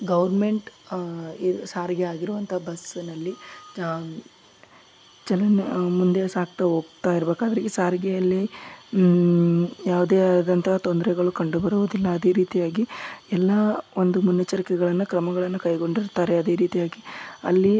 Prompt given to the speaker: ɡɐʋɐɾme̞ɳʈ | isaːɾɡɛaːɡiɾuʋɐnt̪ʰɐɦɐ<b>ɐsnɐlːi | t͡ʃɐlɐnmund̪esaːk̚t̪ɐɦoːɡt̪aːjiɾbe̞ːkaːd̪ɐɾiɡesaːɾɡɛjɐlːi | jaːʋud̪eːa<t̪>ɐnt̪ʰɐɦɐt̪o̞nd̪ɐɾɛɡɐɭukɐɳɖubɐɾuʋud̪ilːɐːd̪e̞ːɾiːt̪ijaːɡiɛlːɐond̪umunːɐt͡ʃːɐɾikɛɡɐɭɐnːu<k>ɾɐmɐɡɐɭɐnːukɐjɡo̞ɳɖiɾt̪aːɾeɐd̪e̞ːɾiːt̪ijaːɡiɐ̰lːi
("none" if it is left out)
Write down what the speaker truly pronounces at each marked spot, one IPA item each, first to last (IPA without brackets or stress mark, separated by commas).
b, d̪, k